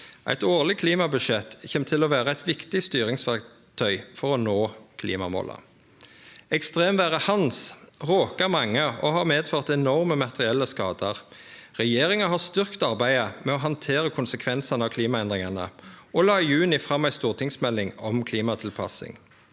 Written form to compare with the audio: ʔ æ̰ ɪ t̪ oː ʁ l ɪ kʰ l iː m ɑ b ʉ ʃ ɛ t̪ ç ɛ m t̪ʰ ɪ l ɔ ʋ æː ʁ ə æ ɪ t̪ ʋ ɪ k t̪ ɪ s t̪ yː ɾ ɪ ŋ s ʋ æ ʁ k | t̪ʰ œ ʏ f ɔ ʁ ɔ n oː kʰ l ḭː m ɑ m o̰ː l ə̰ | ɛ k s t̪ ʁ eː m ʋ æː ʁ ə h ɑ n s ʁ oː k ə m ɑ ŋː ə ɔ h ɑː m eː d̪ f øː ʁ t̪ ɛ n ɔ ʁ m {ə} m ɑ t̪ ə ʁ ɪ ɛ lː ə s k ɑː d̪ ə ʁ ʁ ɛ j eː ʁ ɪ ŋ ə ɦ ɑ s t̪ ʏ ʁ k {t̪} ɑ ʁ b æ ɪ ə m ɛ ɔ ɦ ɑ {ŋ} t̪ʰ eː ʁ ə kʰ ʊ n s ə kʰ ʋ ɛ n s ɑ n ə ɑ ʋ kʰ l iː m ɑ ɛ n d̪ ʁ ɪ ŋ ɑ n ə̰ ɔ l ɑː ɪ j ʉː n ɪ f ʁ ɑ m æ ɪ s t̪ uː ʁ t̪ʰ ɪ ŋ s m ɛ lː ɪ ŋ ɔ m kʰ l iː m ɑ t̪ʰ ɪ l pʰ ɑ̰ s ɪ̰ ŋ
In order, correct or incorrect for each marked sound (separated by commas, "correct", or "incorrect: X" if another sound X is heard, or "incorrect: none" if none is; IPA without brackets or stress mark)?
correct, correct, incorrect: n